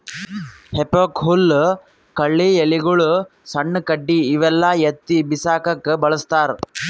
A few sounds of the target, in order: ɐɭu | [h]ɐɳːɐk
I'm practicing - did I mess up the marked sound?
yes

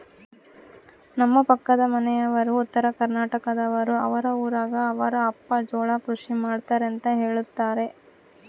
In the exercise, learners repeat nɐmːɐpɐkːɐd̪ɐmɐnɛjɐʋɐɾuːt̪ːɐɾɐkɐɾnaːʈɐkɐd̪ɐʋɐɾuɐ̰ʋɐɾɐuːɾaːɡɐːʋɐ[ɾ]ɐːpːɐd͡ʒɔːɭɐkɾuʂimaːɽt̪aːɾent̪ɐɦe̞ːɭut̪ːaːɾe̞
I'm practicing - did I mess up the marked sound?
no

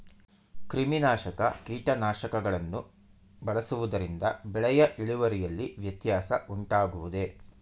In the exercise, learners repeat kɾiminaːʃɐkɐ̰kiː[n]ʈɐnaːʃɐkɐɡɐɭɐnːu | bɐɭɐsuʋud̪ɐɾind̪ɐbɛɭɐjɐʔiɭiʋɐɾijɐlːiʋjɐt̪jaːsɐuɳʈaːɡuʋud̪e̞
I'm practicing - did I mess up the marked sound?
yes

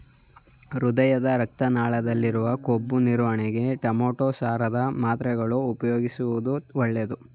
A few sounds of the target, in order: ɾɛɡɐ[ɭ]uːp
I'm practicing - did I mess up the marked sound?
no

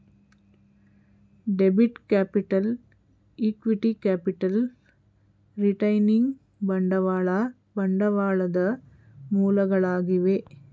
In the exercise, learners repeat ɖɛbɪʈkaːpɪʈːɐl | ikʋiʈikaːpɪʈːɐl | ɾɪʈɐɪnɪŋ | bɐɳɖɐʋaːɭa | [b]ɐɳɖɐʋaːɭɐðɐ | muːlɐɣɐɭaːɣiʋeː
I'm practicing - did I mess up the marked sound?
no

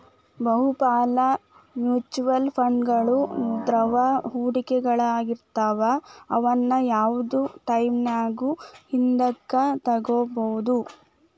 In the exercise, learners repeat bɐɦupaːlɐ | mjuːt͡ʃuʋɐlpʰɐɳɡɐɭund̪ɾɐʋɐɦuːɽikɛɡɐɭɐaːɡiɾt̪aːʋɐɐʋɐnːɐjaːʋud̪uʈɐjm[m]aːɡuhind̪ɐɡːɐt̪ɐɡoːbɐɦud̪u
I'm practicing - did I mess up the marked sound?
yes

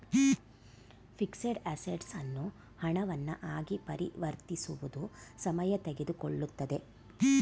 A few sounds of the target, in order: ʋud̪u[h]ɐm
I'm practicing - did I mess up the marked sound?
yes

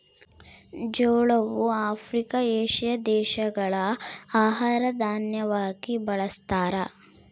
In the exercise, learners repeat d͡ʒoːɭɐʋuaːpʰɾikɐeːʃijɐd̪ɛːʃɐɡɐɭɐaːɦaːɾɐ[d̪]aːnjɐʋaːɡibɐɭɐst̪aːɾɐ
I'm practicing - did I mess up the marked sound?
no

